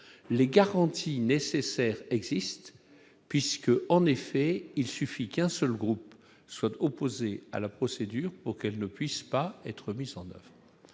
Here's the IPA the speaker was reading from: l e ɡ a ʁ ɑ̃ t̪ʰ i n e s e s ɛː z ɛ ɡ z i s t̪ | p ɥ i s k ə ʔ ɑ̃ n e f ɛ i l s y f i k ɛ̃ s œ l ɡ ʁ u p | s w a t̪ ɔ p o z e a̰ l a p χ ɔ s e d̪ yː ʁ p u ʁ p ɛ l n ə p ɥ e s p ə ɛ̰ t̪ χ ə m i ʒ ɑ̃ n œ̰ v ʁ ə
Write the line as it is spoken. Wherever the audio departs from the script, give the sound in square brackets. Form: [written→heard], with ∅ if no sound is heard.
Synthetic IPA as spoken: l e ɡ a ʁ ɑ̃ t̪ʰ i n e s e s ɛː [z→ʁ] ɛ ɡ z i s t̪ | p ɥ i s k ə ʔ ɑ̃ n e f ɛ i l s y f i k ɛ̃ s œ l ɡ ʁ u p | s w a t̪ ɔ p o z e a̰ l a p χ ɔ s e d̪ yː ʁ p u ʁ [p→k] ɛ l n ə p ɥ [e→i] s p [ə→a] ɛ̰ t̪ χ ə m i [ʒ→z] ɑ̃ n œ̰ v ʁ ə